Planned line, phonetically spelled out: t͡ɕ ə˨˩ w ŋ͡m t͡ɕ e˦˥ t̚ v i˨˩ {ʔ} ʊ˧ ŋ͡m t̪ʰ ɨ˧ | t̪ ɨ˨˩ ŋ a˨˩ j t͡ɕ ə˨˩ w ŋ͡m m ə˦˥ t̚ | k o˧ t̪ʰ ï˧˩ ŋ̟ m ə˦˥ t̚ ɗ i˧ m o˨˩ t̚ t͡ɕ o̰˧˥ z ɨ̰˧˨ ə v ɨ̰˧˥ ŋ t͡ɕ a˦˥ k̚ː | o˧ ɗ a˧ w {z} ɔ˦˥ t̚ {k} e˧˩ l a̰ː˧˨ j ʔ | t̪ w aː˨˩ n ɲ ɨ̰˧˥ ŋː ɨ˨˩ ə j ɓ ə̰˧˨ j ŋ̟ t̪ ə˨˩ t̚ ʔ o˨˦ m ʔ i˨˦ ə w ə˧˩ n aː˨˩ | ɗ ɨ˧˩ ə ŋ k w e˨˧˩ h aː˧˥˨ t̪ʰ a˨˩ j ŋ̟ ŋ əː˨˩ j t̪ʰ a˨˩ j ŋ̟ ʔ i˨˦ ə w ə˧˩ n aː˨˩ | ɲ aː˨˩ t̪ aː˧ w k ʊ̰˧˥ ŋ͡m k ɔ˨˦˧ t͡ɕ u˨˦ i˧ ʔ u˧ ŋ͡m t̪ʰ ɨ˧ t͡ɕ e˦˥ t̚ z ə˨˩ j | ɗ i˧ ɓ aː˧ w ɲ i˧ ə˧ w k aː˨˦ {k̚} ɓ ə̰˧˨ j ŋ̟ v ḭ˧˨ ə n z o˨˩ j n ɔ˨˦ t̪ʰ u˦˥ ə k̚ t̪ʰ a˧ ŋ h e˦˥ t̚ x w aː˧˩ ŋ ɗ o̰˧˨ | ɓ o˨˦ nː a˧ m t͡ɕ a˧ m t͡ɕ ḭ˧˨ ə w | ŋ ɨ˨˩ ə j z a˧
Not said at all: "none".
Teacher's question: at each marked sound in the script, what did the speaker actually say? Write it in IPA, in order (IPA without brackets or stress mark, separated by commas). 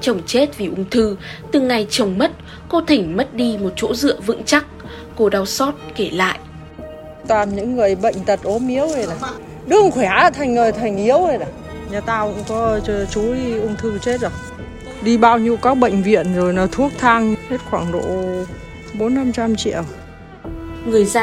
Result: ʔ, s, k, k̚